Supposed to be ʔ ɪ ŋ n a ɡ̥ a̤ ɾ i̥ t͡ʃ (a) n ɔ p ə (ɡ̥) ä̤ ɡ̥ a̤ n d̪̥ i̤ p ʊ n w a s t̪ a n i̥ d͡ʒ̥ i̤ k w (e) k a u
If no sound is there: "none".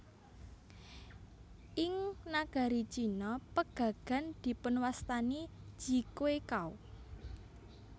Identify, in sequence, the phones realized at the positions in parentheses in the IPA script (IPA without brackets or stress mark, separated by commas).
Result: i, ɡ̥, e